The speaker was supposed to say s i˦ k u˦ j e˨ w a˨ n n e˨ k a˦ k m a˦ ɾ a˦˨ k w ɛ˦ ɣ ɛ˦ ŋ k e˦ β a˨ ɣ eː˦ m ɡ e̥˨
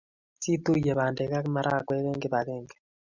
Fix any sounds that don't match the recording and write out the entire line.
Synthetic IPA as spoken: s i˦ t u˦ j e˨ β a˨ n d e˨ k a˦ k m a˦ ɾ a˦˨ k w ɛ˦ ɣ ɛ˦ ŋ ɡ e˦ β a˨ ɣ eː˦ ŋ ɡ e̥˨